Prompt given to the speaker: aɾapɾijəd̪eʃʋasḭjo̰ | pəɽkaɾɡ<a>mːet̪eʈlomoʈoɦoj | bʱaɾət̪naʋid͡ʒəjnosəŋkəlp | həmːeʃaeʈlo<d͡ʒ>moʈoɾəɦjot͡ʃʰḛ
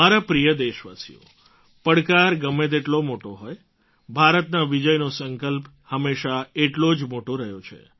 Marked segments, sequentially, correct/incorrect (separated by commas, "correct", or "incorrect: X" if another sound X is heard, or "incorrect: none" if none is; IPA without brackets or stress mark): incorrect: ə, correct